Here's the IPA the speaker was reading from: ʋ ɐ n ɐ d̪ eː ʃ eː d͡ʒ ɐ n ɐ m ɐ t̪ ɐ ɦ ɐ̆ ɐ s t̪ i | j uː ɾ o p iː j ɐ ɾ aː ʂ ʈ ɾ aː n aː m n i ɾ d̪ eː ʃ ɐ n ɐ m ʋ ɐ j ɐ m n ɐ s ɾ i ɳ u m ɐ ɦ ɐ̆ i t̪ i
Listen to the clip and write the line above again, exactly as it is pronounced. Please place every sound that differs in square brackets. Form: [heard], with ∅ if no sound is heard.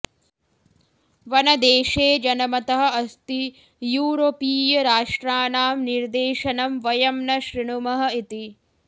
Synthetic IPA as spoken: ʋ ɐ n ɐ d̪ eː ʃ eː d͡ʒ ɐ n ɐ m ɐ t̪ ɐ ɦ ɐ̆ ɐ s t̪ i | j uː ɾ o p iː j ɐ ɾ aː ʂ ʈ ɾ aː n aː m n i ɾ d̪ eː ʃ ɐ n ɐ m ʋ ɐ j ɐ m n ɐ [ʃ] ɾ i ɳ u m ɐ ɦ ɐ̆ i t̪ i